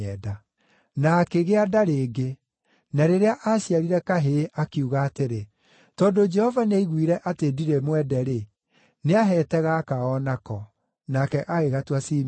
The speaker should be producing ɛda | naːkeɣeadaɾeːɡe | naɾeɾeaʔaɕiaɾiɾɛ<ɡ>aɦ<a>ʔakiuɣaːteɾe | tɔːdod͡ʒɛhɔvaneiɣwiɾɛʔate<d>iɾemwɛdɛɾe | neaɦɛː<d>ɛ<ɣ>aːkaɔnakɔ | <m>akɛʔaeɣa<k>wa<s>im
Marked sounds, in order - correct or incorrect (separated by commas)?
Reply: incorrect, incorrect, correct, incorrect, correct, incorrect, incorrect, correct